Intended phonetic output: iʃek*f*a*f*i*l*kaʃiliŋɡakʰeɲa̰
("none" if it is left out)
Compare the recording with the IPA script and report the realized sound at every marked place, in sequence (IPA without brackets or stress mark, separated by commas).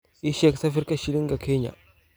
s, f, ɾ